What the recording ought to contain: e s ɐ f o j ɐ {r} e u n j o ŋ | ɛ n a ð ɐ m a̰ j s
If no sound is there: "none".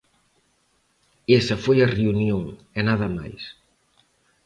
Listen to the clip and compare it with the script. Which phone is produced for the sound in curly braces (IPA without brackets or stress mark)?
r